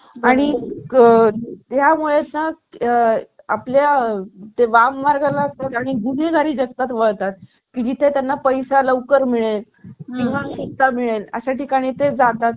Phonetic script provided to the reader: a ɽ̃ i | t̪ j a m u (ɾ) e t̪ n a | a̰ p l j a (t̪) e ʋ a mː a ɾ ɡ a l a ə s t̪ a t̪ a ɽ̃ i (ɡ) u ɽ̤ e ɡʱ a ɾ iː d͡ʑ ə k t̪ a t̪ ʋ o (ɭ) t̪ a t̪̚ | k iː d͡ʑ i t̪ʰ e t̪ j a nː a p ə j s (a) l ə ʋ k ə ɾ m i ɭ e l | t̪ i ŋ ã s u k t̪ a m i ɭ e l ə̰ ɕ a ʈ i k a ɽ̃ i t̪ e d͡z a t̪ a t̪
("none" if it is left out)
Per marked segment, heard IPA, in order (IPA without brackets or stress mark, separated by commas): ɭ, t̪, ɡ, ɭ, a